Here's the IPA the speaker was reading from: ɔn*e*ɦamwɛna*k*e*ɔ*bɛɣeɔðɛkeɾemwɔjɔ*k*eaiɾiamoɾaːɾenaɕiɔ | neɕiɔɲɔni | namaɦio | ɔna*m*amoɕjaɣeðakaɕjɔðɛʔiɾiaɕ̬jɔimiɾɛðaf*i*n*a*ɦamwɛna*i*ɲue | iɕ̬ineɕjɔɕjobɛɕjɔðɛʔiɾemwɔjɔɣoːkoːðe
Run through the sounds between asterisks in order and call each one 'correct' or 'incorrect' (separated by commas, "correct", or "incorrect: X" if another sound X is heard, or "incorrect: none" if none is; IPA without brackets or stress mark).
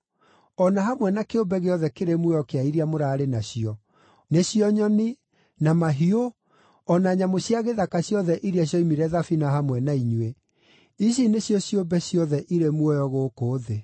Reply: incorrect: a, correct, incorrect: o, correct, incorrect: ɲ, correct, correct, correct